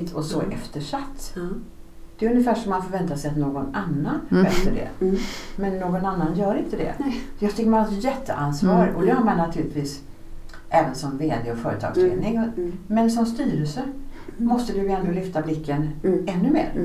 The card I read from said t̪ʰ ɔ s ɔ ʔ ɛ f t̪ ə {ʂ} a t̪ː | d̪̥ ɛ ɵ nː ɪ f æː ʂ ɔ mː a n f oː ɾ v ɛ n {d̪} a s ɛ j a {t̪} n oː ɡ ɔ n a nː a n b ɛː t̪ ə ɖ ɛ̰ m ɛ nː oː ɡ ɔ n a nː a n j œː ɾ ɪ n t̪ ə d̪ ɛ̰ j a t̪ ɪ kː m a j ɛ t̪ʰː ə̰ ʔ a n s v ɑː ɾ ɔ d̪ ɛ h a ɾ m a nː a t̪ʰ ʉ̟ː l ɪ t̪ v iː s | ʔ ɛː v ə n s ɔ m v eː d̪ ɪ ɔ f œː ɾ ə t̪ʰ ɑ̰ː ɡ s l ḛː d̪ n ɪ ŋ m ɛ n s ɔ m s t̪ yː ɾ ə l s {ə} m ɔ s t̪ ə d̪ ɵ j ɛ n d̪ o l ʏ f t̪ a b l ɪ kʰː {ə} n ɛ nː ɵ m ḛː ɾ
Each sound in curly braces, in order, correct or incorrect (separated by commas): correct, incorrect, correct, correct, correct